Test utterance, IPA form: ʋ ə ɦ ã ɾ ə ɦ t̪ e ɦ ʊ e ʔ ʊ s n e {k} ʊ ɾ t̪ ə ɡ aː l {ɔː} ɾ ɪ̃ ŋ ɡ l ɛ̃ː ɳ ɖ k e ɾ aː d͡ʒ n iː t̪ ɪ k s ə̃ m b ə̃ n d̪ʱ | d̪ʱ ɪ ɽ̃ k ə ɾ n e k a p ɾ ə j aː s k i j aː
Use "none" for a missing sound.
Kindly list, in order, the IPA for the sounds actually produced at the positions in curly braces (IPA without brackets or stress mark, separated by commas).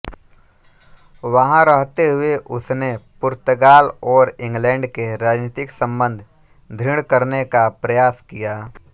p, ɔː